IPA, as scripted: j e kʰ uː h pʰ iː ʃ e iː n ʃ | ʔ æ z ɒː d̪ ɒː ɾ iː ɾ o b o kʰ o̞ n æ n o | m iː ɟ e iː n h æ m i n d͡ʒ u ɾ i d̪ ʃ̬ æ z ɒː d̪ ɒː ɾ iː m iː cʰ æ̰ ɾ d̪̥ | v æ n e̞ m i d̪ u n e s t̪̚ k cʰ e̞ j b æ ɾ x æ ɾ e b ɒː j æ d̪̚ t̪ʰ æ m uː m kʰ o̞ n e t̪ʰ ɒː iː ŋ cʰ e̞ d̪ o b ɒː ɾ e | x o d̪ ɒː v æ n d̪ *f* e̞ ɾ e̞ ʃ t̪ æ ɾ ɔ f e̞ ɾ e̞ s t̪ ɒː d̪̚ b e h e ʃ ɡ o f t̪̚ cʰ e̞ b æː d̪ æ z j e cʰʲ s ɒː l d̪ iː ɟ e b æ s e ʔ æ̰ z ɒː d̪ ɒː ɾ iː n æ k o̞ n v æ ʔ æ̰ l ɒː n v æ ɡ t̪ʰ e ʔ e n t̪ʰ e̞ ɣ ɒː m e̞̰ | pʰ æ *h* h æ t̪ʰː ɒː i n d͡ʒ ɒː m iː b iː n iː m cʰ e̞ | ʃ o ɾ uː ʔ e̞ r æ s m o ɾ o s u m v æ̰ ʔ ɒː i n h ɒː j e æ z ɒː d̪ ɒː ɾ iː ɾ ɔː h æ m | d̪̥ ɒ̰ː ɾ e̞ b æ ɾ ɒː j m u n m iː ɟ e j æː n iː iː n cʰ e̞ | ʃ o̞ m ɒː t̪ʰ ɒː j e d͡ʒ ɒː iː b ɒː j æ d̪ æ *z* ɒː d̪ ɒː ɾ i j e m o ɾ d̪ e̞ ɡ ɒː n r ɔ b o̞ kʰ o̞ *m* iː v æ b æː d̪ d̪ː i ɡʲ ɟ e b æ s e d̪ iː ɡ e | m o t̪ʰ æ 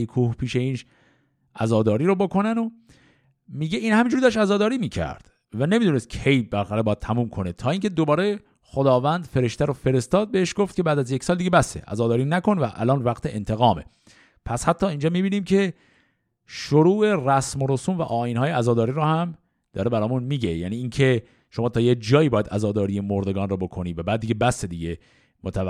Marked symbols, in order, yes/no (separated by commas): yes, no, yes, no